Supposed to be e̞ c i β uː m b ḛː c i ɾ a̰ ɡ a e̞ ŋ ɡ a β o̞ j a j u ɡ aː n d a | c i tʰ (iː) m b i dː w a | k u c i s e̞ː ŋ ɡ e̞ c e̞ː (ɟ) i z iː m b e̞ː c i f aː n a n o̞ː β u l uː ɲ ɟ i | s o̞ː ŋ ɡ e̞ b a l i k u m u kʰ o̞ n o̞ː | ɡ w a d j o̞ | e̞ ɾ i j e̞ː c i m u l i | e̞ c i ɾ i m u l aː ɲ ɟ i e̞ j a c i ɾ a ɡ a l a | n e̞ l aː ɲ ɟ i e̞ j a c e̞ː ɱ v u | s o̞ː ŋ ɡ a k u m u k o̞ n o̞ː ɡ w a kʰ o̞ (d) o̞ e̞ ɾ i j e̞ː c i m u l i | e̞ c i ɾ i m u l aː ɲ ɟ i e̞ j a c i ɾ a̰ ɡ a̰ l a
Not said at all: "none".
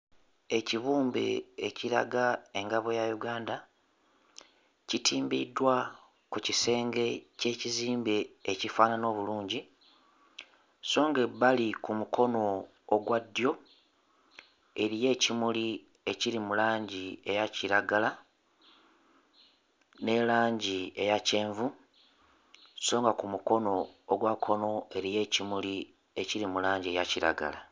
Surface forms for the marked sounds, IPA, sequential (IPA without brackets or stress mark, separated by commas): iː, c, n